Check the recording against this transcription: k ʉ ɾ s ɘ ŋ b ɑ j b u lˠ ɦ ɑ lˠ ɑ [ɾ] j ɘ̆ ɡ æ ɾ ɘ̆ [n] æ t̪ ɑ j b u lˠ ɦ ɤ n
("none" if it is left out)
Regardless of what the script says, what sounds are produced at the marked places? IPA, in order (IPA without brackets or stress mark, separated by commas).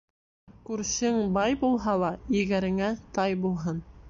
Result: none, ŋ